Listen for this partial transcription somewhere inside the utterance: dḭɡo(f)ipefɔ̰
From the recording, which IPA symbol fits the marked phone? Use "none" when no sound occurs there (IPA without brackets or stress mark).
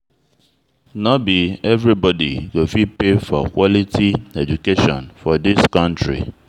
f